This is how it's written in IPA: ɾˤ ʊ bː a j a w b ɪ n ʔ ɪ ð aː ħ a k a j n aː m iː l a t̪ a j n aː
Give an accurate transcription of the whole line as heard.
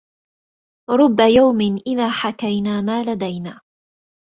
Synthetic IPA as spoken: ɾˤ ʊ bː a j a w m ɪ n ʔ ɪ ð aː ħ a k a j n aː m aː l a d̪ a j n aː